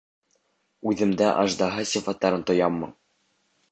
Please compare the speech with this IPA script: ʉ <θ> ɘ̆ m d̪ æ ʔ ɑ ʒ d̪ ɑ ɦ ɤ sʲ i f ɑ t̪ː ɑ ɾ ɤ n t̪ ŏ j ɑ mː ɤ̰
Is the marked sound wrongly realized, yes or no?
yes